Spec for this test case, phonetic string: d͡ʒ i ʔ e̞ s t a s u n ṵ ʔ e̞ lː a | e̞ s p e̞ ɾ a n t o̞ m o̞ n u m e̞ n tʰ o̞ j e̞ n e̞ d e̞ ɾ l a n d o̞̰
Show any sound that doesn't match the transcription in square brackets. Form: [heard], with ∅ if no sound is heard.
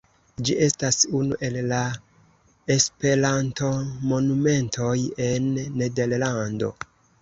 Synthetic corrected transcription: d͡ʒ i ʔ e̞ s t a s u n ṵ ʔ e̞ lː a | e̞ s p e̞ ɾ a n t o̞ m o̞ n u m e̞ n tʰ o̞ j e̞ [nː] e̞ d e̞ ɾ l a n d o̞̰